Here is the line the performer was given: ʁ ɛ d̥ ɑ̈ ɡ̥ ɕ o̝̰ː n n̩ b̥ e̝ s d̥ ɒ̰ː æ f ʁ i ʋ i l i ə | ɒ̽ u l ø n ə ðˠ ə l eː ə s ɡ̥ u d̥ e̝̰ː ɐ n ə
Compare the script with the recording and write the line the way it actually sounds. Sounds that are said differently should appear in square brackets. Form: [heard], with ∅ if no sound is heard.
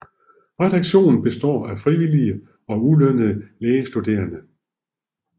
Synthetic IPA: ʁ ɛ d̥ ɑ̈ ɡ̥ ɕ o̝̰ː n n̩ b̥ e̝ s d̥ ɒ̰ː æ f ʁ i ʋ i l i ə | ɒ̽ u l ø n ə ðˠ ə l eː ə s [d̥] u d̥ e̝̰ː ɐ n ə